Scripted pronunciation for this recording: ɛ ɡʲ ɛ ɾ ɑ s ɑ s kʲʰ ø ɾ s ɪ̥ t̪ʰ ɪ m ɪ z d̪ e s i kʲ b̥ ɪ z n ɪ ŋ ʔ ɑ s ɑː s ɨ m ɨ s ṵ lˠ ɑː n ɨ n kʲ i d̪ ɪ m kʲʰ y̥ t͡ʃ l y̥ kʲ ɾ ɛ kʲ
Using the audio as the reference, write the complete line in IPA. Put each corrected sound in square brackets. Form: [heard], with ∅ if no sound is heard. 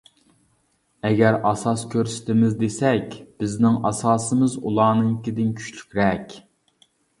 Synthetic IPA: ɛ ɡʲ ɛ ɾ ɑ s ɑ s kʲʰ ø ɾ s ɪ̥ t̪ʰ ɪ m ɪ z d̪ e s [ɛ] kʲ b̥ ɪ z n ɪ ŋ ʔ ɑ s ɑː s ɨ m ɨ [z] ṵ lˠ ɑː n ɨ [ŋ] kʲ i d̪ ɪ [n] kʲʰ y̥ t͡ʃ l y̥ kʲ ɾ ɛ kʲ